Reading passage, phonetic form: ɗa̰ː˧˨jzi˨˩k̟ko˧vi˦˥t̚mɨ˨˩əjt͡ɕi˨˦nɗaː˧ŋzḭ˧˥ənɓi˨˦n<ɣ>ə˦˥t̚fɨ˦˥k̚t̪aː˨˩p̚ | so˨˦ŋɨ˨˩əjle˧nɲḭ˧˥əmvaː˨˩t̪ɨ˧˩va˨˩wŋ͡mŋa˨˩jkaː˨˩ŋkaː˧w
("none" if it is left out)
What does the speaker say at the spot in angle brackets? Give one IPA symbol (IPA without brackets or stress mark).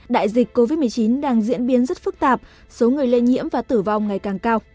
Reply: z